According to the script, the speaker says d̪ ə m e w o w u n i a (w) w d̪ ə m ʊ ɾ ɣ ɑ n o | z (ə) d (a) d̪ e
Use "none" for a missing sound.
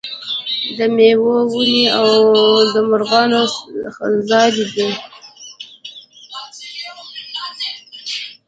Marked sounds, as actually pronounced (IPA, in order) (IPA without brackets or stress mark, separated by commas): w, ɑ, i